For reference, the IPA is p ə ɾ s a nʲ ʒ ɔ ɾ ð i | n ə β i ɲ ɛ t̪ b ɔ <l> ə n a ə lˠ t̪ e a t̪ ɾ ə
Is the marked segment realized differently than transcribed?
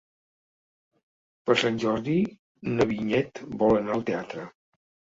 no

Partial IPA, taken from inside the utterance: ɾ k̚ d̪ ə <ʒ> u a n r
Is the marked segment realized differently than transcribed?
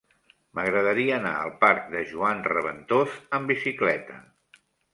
no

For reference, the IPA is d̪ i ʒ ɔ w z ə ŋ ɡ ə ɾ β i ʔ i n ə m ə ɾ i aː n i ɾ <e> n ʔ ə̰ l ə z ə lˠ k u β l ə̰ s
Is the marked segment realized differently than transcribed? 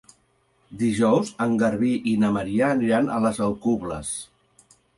yes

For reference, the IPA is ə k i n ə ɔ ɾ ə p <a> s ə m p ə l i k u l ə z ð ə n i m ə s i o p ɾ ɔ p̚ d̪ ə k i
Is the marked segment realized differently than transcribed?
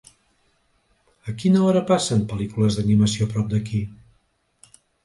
no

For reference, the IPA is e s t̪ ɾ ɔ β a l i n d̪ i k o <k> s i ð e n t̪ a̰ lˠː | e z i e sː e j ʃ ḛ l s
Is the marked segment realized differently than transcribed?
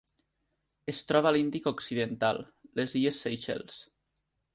no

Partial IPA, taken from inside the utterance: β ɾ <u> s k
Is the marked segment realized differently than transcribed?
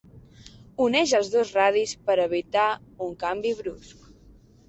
no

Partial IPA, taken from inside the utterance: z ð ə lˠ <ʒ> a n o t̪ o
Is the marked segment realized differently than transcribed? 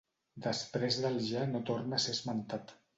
no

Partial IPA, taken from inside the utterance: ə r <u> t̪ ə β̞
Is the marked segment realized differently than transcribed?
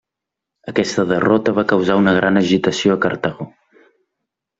yes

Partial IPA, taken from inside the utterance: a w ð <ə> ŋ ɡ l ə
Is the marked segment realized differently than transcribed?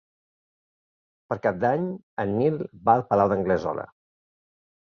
no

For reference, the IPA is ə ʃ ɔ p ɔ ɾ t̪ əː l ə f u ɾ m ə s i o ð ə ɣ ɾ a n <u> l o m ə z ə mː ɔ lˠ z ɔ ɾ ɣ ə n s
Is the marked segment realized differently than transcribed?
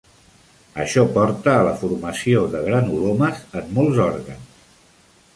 no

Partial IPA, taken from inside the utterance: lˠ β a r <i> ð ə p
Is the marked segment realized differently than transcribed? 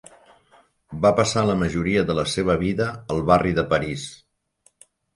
no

